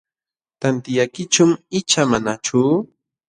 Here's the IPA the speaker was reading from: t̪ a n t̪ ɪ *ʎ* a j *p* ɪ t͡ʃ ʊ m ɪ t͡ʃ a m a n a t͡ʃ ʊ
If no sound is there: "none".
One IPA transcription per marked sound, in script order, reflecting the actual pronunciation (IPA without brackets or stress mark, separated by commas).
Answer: j, k